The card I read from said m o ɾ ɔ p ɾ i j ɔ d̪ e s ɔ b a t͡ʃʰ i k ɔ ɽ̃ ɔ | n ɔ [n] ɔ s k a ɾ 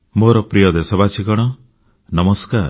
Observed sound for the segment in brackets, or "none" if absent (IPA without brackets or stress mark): m